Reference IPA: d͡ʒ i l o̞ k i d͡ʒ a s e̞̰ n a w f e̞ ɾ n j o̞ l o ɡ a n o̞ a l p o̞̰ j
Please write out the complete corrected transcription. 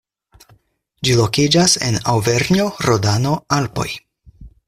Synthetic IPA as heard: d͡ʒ i l o̞ k i d͡ʒ a s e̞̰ n a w v e̞ ɾ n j o̞ ɾ o d a n o̞ a l p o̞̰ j